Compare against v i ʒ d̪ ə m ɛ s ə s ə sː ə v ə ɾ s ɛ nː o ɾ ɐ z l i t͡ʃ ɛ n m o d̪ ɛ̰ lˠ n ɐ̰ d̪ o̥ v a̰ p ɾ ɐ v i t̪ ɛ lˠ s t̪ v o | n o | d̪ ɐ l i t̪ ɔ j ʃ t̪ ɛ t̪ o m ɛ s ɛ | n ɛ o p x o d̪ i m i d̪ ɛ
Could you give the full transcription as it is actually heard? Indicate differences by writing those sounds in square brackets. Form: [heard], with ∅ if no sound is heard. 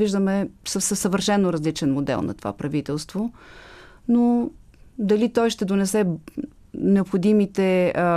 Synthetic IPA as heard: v i ʒ d̪ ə m ɛ s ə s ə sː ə v ə ɾ [ʃ] ɛ nː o ɾ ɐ z l i t͡ʃ ɛ n m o d̪ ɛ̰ lˠ n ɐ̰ [t̪] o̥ v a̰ p ɾ ɐ v i t̪ ɛ lˠ s t̪ v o | n o | d̪ ɐ l i t̪ ɔ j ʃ t̪ ɛ [d̪] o [n] ɛ s ɛ | n ɛ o p x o d̪ i m i [t̪] ɛ